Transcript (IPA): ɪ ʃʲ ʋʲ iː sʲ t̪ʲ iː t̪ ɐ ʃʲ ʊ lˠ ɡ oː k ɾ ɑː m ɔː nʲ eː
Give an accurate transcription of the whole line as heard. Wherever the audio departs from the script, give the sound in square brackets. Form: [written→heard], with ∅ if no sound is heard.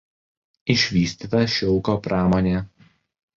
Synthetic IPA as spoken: ɪ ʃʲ ʋʲ iː sʲ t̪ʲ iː t̪ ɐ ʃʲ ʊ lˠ [ɡ→k] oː [k→p] ɾ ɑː m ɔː nʲ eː